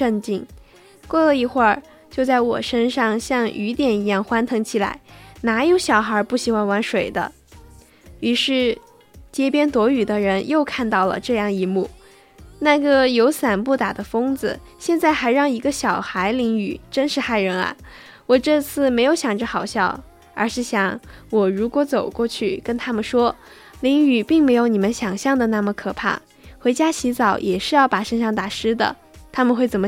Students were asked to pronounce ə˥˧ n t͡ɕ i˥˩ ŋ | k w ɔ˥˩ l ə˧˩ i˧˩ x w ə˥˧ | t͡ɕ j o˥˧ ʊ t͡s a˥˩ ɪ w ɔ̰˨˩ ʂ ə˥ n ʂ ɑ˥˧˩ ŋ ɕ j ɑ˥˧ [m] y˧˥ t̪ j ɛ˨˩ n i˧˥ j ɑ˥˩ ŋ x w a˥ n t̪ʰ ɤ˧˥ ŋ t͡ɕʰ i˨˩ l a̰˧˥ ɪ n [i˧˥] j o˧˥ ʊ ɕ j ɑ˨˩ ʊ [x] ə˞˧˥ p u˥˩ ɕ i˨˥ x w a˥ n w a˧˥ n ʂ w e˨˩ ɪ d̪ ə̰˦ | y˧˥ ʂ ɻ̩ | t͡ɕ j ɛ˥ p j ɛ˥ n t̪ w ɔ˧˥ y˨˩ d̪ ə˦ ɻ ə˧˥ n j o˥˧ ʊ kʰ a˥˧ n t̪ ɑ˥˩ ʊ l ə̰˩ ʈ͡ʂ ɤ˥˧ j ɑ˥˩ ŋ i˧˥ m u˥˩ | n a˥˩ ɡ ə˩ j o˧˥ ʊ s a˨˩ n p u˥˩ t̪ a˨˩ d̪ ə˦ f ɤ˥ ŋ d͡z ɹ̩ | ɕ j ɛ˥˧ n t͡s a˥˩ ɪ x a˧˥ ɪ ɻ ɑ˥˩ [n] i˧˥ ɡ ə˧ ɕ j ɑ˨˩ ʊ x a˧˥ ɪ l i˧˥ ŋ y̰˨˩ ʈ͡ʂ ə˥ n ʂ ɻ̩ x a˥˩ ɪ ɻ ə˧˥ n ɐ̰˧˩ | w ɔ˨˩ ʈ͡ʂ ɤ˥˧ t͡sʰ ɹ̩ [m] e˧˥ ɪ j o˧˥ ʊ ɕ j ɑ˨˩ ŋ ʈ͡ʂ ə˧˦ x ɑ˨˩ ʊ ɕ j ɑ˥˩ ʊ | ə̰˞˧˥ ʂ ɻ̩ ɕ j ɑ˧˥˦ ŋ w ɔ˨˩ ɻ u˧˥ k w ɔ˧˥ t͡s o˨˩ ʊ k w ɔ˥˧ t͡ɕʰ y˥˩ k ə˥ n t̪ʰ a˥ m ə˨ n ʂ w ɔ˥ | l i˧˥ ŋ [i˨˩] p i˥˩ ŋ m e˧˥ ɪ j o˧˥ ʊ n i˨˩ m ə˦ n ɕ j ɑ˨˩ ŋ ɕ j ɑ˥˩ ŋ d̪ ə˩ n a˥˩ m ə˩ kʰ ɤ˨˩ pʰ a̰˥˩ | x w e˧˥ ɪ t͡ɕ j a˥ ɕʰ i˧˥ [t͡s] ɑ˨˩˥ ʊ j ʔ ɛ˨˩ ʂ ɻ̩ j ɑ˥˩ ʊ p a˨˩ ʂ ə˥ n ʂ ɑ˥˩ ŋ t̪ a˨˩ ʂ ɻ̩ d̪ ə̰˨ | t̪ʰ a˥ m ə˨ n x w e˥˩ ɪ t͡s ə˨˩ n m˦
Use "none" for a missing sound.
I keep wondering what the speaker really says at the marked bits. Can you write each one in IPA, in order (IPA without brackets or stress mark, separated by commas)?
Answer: ŋ, a˧˥, x, ŋ, m, y˨˩, t͡s